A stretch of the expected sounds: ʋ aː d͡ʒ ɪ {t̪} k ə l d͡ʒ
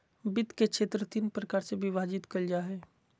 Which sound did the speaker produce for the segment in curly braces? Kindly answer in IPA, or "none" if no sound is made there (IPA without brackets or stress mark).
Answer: t̪